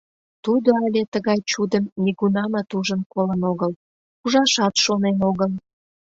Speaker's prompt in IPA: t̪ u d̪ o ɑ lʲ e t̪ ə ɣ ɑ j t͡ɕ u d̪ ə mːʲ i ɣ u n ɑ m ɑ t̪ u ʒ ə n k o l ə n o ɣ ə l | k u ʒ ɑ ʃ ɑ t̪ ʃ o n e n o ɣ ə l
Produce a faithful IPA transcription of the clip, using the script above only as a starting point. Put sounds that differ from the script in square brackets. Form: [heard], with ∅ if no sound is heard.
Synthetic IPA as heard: t̪ u d̪ o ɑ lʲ e t̪ ə ɣ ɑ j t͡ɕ u d̪ ə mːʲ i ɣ u n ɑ m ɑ t̪ u ʒ ə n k o l ə n o ɣ ə l | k u ʒ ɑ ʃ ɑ t̪ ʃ o n e n o ɣ ə l